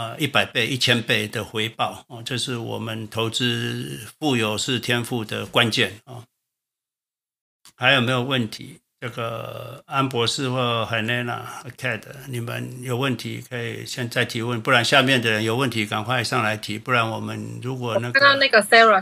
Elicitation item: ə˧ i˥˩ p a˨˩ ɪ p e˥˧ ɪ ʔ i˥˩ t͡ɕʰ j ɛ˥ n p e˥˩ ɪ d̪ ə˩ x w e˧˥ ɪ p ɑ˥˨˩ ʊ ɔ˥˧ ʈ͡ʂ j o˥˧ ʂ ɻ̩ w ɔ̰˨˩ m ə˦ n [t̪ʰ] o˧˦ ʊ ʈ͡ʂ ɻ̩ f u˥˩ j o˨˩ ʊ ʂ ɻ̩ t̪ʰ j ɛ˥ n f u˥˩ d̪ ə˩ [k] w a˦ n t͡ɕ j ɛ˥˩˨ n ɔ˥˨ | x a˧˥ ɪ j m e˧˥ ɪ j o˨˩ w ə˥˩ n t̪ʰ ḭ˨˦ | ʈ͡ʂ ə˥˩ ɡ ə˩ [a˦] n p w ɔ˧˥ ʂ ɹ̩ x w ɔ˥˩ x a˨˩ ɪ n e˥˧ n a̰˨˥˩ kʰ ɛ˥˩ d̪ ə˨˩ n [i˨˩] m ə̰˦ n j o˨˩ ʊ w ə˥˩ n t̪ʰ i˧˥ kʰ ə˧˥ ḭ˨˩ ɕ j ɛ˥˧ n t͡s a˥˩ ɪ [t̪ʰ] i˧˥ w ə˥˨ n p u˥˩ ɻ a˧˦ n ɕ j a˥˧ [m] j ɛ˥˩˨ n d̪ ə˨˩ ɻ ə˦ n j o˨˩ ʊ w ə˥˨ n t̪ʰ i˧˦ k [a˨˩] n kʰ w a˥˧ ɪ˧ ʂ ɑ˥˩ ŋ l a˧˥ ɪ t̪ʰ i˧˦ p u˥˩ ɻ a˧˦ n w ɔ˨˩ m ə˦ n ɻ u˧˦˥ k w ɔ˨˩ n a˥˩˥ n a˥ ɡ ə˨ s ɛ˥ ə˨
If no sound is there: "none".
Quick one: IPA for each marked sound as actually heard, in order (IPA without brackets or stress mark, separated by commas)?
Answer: t̪ʰ, k, a˦, i˨˩, t̪ʰ, m, a˨˩